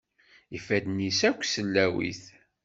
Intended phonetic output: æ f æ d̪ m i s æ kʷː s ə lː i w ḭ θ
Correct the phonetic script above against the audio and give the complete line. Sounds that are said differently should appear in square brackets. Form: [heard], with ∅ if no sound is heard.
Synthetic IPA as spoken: [i] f æ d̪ [n] i s æ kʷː s ə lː [æ] w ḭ θ